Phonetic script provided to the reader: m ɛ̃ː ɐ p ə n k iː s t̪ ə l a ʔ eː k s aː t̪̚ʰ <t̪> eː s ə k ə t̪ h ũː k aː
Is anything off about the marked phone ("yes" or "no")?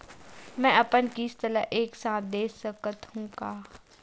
yes